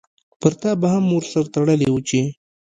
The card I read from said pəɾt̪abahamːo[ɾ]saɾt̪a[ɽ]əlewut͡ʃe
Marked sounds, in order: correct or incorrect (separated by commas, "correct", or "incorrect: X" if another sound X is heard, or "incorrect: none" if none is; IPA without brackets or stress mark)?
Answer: correct, correct